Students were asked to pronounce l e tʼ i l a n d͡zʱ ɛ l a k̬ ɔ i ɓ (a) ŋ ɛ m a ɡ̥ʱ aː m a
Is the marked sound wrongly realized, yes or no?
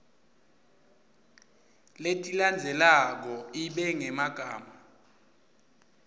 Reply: yes